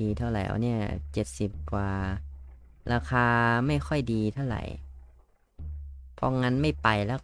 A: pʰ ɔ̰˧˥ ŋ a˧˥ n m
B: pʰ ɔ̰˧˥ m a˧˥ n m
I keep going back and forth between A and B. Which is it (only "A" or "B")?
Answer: A